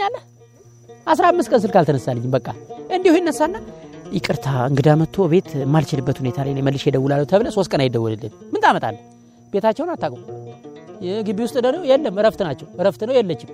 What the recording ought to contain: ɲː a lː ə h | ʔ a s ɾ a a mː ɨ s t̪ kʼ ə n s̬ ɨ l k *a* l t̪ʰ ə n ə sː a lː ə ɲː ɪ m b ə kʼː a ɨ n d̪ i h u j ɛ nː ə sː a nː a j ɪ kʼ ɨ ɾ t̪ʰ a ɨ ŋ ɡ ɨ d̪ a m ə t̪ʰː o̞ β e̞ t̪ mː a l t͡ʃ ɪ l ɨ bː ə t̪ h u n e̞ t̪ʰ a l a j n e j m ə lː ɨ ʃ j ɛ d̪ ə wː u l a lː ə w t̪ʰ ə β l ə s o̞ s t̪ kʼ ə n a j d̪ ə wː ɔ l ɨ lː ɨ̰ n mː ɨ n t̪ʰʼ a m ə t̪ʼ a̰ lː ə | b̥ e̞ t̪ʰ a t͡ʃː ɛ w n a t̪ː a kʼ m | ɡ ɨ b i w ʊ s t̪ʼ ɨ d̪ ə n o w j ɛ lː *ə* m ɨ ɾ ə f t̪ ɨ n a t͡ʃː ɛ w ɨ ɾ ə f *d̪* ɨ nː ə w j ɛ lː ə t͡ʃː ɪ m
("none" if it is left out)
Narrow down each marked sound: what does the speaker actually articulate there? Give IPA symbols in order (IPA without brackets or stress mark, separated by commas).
a, ə, t̪